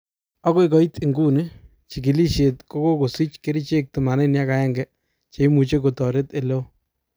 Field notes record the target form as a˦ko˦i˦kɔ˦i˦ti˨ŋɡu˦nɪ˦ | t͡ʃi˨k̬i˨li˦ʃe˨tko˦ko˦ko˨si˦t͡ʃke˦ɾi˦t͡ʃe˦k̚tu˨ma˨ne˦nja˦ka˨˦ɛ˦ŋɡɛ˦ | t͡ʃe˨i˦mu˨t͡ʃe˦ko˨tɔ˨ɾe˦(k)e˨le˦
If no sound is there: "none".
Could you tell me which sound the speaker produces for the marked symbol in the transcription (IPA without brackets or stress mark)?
t